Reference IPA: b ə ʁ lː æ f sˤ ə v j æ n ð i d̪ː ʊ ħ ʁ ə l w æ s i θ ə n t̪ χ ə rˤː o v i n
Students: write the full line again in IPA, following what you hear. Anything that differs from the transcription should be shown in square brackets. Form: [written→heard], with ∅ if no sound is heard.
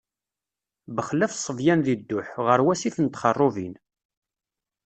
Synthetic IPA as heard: b ə [ʁ→χ] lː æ f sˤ ə v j æ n ð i d̪ː ʊ ħ ʁ ə [l→ɾ] w æ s i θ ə n t̪ χ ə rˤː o v i n